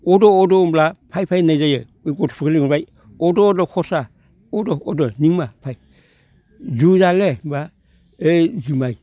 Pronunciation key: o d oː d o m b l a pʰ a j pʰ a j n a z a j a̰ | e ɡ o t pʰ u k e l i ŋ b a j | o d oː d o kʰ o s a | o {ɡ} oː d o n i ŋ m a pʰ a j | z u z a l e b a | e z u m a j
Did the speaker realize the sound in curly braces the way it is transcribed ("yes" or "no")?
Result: no